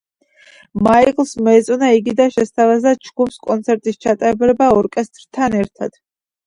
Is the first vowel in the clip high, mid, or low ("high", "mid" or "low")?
low